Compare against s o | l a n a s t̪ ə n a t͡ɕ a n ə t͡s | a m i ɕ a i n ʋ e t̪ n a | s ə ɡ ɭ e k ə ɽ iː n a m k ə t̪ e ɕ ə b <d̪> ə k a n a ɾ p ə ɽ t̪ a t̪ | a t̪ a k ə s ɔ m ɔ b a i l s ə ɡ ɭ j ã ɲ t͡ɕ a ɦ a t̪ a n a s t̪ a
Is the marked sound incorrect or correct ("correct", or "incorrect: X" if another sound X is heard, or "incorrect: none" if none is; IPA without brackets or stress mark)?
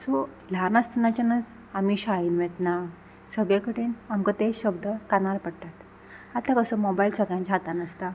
correct